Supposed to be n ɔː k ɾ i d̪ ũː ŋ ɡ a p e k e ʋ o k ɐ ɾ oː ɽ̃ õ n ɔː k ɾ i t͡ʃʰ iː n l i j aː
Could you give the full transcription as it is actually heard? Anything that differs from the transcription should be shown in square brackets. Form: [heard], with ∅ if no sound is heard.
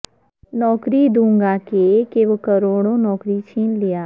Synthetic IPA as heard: n ɔː k ɾ i d̪ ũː ŋ ɡ a [k] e k e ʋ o k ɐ ɾ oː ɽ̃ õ n ɔː k ɾ i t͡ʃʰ iː n l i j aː